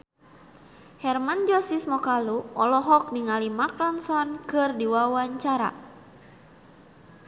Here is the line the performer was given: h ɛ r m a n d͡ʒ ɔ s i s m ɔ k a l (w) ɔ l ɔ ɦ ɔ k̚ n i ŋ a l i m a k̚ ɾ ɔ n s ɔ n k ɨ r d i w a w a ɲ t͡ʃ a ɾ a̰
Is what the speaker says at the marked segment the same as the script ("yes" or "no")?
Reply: no